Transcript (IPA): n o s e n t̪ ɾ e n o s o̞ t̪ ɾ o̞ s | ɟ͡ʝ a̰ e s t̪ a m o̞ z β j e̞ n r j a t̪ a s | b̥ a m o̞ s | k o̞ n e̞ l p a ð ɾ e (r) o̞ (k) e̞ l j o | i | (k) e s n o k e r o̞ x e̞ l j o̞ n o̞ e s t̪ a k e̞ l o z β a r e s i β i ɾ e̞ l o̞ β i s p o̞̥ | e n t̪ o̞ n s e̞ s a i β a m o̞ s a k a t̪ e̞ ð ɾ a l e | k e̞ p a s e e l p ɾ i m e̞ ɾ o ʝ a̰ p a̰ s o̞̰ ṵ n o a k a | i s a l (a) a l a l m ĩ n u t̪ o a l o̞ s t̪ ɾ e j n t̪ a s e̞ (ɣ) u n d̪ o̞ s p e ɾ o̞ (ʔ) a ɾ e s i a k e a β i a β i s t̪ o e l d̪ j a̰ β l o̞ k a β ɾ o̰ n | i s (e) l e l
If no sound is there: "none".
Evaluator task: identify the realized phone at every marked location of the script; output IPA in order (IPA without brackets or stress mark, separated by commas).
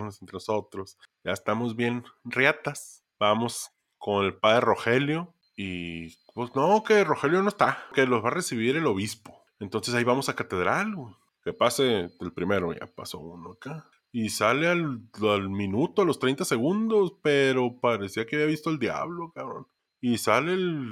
r, x, p, e, ɣ, p, a